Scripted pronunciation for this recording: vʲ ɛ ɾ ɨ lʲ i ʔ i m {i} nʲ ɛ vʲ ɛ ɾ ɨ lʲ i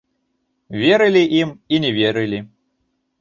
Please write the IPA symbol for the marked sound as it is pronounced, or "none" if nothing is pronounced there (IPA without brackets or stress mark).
i